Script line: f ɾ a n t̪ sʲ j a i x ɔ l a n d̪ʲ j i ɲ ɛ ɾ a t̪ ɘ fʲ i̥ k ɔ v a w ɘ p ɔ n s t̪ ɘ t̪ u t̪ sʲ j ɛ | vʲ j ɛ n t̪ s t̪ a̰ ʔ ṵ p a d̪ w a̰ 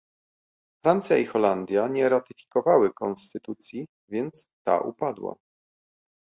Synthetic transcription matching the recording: f ɾ a n t̪ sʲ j a i x ɔ l a n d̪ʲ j a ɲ ɛ ɾ a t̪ ɘ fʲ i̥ k ɔ v a w ɘ k ɔ n s t̪ ɘ t̪ u t̪ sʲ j i | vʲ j ɛ n t̪ s t̪ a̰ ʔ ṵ p a d̪ w a̰